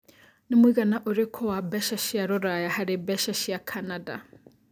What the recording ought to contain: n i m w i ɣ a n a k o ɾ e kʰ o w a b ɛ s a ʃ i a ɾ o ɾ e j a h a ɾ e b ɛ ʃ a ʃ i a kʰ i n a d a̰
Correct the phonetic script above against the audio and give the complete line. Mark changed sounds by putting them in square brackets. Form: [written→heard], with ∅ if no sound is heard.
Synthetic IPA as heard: n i m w i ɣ a n a [k→ʔ] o ɾ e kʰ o w a b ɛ [s→ʃ] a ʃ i a ɾ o ɾ [e→a] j a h a ɾ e b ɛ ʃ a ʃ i a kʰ [i→a] n a d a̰